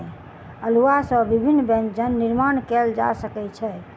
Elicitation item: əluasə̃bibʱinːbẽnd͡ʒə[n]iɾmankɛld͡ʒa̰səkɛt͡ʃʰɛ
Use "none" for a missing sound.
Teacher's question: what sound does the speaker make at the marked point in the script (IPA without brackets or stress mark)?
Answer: nː